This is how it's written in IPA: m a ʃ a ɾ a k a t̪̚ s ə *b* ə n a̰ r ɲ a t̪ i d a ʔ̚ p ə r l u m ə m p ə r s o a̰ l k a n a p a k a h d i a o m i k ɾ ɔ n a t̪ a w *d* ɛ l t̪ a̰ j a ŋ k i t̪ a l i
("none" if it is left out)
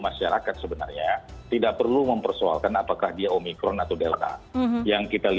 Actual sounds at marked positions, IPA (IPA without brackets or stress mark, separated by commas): b, d